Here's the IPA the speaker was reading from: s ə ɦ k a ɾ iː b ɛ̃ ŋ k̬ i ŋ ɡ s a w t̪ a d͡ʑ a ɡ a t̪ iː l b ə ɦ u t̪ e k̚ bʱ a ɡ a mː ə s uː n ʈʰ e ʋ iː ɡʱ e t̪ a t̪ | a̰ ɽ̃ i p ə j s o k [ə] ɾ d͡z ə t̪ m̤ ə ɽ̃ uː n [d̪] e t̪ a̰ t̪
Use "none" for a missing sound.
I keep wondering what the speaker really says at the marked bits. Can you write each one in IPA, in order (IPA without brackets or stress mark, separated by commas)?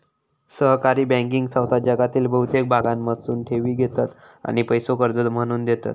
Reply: ə, d̪